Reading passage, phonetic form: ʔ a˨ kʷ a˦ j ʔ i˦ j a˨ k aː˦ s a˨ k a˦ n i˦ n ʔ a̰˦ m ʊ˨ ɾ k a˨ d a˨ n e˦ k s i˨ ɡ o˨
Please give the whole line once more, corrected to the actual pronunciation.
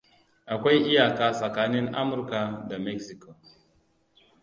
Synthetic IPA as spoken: ʔ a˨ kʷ a˦ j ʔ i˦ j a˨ k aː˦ s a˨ k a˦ n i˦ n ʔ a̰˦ m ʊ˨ ɾ k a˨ d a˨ m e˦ k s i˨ k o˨

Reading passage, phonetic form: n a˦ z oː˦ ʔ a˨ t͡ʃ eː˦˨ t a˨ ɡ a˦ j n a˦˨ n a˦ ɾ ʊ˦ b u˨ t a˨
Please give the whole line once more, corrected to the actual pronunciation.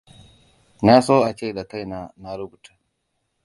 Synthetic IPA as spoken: n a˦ s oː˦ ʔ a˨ t͡ʃ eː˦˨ d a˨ k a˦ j n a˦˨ n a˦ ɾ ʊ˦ b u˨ t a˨

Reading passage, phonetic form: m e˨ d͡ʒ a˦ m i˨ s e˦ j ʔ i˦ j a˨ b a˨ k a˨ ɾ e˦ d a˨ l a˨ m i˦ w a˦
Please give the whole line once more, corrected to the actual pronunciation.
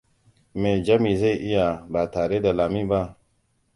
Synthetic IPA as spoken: m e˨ d͡ʒ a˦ m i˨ z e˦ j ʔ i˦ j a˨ b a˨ t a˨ ɾ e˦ d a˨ l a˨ m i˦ b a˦

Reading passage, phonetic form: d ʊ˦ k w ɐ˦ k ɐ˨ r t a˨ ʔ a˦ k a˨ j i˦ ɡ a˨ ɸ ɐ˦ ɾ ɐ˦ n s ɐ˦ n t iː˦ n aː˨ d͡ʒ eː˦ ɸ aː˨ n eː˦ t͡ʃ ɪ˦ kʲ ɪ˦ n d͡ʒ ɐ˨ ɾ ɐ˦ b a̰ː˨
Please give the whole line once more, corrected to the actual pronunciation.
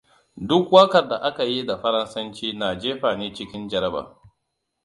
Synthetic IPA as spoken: d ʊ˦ k w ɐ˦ k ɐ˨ r d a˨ ʔ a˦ k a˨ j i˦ d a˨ ɸ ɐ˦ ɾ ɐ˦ n s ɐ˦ n t͡ʃ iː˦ n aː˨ d͡ʒ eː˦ ɸ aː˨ n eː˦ t͡ʃ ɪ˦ kʲ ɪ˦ n d͡ʒ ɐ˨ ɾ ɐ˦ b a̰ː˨

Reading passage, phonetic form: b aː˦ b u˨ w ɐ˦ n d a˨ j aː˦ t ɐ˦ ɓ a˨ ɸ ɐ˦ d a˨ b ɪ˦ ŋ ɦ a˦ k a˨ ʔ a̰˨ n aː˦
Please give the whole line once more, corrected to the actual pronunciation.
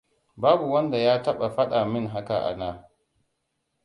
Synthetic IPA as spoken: b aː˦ b u˨ w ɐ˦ n d a˨ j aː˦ t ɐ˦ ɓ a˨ ɸ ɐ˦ ɗ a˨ m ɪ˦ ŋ ɦ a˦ k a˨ ʔ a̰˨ n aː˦

